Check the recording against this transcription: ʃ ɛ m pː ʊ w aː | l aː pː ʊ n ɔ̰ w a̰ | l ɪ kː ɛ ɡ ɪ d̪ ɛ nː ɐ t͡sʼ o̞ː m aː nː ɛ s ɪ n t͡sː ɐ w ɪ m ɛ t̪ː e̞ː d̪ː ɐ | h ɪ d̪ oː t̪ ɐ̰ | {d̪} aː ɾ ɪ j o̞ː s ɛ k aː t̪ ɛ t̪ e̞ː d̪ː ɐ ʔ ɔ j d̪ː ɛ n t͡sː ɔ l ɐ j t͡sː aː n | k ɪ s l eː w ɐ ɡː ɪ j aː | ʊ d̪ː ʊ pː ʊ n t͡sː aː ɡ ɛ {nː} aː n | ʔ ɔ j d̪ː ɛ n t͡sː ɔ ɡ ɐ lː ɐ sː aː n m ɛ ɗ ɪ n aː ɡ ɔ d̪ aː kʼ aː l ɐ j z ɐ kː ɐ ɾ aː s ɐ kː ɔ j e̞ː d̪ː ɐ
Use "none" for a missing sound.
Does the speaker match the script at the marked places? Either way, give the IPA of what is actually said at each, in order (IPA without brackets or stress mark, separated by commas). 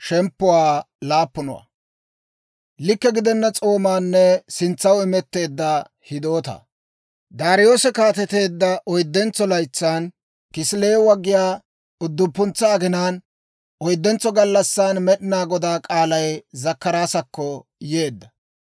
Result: d̪, n